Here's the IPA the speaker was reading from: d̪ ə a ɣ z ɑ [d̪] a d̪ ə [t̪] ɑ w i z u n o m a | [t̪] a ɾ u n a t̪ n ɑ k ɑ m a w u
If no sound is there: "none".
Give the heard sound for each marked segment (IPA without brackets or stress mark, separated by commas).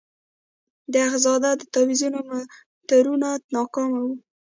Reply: d̪, t̪, t̪